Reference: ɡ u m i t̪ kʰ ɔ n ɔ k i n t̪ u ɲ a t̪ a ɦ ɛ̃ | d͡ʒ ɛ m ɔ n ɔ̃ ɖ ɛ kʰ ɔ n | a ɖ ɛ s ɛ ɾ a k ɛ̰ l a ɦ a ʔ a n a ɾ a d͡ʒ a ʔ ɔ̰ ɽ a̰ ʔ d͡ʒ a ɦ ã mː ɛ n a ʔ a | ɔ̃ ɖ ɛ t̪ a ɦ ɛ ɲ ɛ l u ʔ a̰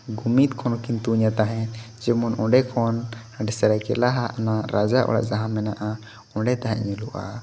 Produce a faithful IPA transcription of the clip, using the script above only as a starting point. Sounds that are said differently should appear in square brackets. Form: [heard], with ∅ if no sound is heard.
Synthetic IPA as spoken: ɡ u m i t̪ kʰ ɔ n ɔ k i n t̪ u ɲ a t̪ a ɦ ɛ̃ | d͡ʒ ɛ m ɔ n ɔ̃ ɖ ɛ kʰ ɔ n | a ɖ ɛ s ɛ ɾ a k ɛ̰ l a ɦ a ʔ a n a ɾ a d͡ʒ a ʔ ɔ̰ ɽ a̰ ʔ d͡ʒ a ɦ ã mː ɛ n a ʔ a | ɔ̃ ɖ ɛ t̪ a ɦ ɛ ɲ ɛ l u ʔ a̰